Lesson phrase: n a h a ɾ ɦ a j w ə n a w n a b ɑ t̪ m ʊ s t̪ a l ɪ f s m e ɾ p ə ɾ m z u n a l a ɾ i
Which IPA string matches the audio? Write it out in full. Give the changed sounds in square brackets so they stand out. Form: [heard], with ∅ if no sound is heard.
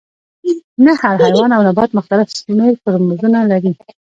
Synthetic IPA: n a h a ɾ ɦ a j w [ɑ] n a w n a b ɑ t̪ m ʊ [x] t̪ a l ɪ f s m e ɾ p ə ɾ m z u n a l a ɾ i